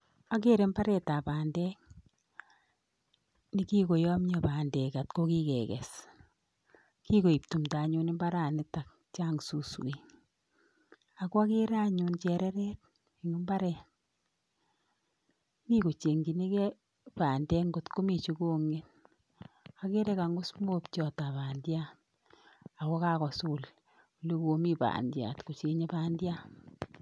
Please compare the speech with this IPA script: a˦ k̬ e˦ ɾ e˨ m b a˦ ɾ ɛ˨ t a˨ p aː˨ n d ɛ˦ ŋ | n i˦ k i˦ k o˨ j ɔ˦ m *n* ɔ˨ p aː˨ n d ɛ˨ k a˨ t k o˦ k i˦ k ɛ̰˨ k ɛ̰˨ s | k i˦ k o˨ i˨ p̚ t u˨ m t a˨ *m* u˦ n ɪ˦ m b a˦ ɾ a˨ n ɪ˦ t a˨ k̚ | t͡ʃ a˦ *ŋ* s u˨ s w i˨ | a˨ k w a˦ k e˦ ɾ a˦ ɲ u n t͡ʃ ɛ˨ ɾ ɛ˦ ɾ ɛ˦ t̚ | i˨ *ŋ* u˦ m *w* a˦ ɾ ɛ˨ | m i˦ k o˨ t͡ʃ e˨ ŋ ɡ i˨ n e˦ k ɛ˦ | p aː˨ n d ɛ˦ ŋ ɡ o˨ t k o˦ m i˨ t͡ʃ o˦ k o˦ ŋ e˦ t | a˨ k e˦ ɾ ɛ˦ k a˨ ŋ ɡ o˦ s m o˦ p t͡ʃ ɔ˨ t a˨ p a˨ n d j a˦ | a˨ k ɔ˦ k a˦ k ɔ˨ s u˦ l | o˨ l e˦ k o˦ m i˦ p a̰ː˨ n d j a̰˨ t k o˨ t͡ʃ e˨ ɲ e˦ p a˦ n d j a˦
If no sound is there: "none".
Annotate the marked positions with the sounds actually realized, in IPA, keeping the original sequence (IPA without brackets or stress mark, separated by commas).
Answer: ɲ, ɲ, ŋ, ŋ, b